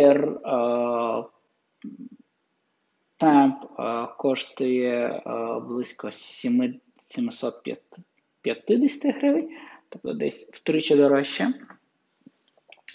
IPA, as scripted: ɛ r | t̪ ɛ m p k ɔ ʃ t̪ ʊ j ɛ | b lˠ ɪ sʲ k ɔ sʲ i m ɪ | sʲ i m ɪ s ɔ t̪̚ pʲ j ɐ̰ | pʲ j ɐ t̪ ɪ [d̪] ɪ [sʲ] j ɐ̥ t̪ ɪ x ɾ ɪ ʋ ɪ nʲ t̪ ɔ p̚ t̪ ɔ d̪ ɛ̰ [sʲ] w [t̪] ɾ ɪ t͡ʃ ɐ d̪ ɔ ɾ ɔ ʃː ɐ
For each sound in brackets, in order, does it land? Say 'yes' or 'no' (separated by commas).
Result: yes, yes, yes, yes